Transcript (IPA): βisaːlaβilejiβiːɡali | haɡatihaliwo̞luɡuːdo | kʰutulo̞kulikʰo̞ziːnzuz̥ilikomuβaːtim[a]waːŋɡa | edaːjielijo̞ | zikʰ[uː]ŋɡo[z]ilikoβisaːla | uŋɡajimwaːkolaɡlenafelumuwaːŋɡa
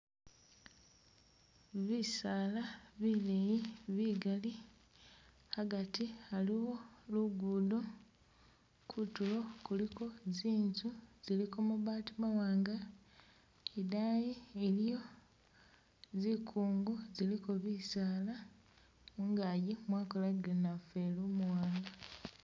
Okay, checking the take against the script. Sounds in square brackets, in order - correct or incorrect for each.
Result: correct, correct, correct

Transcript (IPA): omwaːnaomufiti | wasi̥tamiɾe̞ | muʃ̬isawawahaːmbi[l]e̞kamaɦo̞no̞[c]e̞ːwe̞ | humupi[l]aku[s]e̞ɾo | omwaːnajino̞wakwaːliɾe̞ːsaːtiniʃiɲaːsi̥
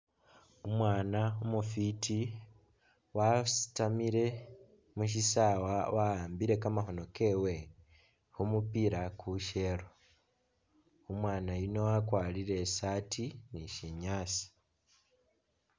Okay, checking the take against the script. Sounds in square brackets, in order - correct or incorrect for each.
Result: incorrect, incorrect, incorrect, incorrect

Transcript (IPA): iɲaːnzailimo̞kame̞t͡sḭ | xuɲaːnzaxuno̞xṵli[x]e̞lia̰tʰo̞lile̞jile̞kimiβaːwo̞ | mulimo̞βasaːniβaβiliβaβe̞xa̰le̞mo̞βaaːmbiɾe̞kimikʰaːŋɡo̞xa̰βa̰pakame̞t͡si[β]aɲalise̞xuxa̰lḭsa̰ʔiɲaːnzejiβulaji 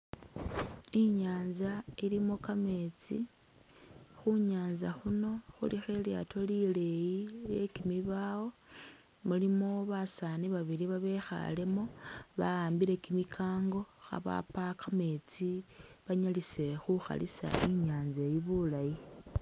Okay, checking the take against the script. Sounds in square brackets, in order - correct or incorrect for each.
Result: correct, correct

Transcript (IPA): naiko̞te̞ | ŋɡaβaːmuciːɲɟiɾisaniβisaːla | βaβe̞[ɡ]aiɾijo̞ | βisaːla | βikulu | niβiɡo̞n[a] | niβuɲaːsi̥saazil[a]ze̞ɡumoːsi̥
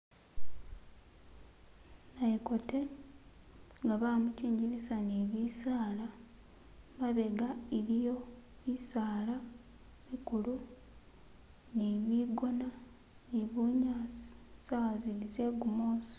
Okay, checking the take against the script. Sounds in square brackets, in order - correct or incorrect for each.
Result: correct, correct, incorrect

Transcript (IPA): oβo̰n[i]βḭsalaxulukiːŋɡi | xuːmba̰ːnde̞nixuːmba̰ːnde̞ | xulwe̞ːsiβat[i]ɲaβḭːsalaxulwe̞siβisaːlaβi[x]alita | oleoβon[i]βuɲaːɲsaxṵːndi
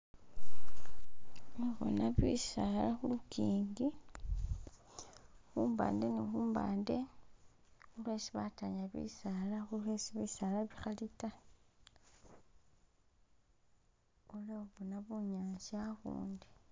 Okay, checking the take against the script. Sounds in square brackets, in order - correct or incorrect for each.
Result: incorrect, incorrect, correct, incorrect

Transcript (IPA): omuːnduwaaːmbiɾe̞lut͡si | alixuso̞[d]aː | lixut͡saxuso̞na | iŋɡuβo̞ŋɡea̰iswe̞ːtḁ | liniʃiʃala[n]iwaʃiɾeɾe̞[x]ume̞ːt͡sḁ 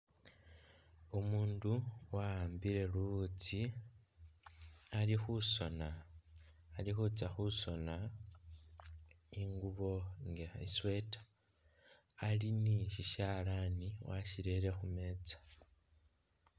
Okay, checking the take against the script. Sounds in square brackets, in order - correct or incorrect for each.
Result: incorrect, correct, correct

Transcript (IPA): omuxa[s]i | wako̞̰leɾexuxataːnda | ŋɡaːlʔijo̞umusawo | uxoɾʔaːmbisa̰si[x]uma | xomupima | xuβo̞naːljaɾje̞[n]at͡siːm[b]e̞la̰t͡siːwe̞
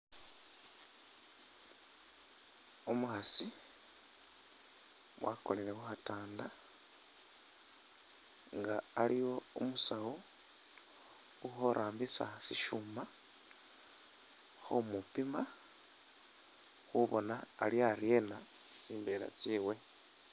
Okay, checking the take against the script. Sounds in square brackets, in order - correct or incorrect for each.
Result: correct, incorrect, correct, correct

